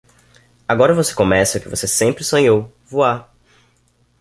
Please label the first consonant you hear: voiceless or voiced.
voiced